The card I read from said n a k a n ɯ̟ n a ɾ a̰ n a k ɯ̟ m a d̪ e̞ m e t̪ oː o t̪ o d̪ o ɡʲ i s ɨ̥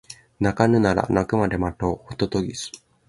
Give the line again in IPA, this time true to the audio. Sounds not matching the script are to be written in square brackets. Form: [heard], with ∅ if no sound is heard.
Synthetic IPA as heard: n a k a n ɯ̟ n a ɾ a̰ n a k ɯ̟ m a d̪ e̞ m [a] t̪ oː o t̪ o [t̪] o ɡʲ i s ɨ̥